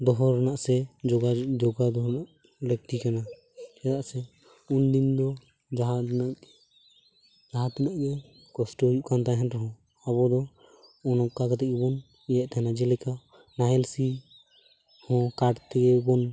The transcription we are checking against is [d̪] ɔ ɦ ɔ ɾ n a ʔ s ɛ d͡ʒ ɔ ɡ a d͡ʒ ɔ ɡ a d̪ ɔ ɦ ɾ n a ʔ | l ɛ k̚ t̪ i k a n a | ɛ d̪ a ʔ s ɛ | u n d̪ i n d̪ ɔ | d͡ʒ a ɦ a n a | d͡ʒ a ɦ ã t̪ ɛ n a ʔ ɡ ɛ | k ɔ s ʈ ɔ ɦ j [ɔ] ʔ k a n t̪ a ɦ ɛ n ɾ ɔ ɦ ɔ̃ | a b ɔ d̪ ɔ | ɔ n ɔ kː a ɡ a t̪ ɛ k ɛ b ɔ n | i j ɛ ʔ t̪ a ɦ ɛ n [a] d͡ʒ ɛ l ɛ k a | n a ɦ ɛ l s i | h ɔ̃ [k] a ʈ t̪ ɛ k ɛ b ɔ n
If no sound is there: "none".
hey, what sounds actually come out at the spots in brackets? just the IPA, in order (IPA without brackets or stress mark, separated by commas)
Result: d̪, u, a, k